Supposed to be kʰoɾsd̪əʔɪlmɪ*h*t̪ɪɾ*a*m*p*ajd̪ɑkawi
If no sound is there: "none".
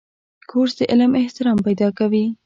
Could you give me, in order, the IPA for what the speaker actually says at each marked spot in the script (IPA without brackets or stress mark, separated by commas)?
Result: h, ɑ, p